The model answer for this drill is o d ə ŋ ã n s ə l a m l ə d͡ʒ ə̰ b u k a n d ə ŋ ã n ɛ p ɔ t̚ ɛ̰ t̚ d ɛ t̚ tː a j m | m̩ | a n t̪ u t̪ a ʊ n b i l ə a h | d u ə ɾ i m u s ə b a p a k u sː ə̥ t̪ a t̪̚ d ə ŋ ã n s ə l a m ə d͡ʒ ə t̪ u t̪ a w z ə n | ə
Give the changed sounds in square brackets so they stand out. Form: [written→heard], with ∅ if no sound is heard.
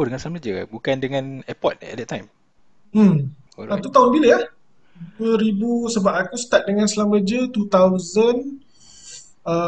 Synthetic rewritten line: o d ə ŋ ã n s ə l a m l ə d͡ʒ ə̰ b u k a n d ə ŋ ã n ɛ p ɔ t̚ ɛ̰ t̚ d ɛ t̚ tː a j m | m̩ | a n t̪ u t̪ a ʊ n b i l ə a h | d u ə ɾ i [m→b] u s ə b a p a k u [sː→s] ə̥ t̪ a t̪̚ d ə ŋ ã n s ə l a m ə d͡ʒ ə t̪ u t̪ a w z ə n | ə